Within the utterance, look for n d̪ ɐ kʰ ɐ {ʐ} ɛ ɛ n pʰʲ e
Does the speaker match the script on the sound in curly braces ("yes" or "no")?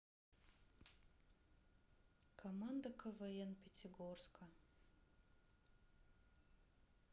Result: no